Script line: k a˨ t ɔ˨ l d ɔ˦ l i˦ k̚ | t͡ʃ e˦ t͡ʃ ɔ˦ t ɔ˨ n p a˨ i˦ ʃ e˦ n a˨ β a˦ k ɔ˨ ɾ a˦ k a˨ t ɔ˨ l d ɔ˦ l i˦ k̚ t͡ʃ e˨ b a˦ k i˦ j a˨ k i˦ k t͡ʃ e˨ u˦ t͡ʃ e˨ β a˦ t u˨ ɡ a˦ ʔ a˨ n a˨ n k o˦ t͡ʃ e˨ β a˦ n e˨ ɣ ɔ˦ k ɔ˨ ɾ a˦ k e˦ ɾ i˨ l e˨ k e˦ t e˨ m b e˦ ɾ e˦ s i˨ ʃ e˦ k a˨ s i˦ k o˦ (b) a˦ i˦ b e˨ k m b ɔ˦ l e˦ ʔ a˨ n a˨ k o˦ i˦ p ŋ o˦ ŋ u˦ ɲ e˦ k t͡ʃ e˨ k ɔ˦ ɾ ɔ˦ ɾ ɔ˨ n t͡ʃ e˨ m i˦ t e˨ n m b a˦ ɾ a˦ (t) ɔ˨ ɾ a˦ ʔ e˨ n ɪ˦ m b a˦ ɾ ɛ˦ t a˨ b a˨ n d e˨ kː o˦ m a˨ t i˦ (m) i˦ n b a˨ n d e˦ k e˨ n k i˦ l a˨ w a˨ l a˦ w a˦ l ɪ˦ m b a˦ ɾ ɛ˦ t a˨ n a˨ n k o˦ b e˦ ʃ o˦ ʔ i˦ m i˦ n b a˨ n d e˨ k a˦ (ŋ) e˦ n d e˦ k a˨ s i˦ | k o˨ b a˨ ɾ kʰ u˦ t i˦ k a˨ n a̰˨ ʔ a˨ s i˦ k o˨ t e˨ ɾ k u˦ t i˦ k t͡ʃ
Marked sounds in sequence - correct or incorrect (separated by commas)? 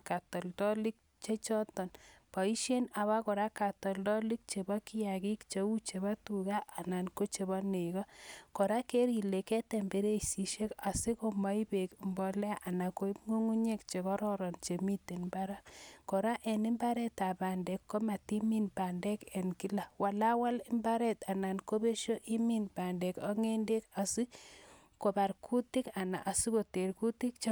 incorrect, incorrect, correct, correct